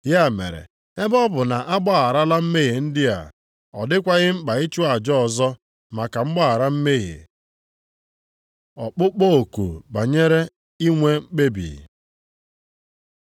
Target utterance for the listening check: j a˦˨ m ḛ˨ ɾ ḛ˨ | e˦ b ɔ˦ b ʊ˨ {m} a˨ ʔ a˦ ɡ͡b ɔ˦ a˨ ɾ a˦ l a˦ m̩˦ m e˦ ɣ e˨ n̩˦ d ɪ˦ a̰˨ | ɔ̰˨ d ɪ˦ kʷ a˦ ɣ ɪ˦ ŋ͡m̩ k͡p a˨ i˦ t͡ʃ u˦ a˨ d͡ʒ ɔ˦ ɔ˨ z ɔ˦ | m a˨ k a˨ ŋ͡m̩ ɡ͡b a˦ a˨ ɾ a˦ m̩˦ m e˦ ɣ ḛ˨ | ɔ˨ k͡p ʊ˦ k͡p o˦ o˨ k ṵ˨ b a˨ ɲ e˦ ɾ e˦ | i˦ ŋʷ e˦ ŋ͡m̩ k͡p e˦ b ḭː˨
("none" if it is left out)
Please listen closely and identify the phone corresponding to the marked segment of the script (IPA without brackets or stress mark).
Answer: n